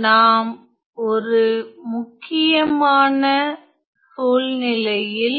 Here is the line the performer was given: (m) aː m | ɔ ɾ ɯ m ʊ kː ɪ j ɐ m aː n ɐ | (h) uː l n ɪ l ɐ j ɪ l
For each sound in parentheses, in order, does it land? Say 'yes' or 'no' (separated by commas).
no, no